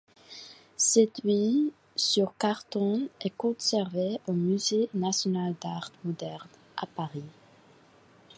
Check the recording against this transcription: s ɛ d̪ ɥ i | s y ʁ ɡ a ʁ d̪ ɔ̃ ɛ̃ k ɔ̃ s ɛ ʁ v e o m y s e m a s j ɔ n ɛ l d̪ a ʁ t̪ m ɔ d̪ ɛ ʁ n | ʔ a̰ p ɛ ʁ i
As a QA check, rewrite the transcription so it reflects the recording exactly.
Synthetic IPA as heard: s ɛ d̪ ɥ i | s y ʁ k a ʁ t̪ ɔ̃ ɛ k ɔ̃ s ɛ ʁ v e o m y z e n a s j ɔ n a l d̪ a ʁ t̪ m ɔ d̪ ɛ ʁ n | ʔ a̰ p a ʁ i